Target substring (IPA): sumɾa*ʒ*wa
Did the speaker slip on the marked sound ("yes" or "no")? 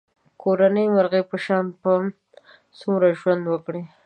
no